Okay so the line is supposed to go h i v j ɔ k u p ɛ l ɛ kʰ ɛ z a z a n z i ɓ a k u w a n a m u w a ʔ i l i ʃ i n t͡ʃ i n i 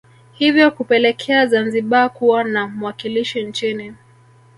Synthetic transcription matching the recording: h i v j ɔ k u p ɛ l ɛ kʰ ɛ a z a n z i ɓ a k u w a n a m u w a k i l i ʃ i n t͡ʃ i n i